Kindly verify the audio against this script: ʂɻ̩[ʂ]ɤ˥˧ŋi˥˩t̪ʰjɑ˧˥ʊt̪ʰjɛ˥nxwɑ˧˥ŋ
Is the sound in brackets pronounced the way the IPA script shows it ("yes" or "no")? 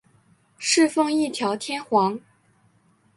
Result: no